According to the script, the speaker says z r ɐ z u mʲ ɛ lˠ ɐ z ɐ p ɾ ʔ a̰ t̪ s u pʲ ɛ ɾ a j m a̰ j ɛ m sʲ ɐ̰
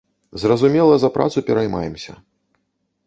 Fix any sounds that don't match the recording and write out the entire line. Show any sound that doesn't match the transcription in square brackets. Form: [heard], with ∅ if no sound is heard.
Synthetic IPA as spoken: z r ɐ z u mʲ ɛ lˠ ɐ z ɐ p ɾ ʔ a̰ t̪ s u pʲ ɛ ɾ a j m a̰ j ɛ m sʲ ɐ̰